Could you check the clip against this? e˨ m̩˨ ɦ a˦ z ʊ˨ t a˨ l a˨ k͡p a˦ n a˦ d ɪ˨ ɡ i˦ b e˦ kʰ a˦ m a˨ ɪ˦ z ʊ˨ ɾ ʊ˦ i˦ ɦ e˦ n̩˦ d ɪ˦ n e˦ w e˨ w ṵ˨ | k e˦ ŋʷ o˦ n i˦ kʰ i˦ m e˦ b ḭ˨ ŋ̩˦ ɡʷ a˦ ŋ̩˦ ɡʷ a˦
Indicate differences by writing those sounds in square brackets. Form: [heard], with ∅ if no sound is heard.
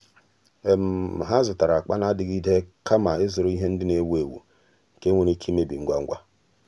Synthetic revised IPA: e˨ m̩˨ ɦ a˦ z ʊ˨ t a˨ [ɾ] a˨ k͡p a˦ n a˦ d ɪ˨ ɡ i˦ [d] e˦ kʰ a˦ m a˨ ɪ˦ z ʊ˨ ɾ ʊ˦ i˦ ɦ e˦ n̩˦ d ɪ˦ n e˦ w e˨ w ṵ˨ | k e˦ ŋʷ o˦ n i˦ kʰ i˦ m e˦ b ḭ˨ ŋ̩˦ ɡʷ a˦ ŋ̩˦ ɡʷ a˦